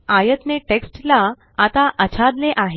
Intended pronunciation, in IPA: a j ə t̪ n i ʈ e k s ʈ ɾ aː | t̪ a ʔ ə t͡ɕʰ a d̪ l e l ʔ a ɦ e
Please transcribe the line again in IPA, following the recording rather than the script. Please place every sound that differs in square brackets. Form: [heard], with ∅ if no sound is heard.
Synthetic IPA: a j ə t̪ n [e] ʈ e k s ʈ [l] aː | t̪ a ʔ ə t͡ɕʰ a d̪ l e [∅] ʔ a ɦ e